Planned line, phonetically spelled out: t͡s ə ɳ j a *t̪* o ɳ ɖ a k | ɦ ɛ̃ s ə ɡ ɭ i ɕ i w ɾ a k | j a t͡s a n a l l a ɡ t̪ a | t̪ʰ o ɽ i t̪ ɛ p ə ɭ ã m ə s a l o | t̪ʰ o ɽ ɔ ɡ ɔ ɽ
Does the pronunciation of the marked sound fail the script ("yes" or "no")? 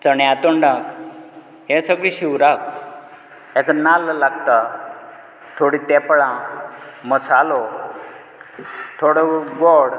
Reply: no